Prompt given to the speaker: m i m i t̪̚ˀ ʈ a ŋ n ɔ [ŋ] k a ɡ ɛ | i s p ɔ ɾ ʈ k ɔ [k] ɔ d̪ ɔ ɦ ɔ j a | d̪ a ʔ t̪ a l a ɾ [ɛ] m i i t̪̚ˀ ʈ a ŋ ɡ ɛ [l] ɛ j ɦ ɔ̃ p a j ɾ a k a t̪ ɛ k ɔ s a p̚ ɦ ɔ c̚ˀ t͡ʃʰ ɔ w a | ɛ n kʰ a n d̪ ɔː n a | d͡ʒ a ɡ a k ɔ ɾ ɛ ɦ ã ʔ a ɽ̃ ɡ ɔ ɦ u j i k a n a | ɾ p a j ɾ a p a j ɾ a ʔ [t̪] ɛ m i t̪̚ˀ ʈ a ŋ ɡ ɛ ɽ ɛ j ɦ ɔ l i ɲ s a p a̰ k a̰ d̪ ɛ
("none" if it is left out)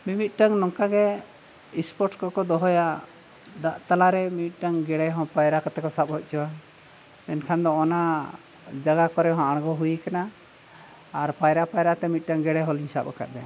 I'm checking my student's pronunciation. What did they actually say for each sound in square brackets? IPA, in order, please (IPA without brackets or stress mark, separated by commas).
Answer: ŋ, k, ɛ, ɽ, t̪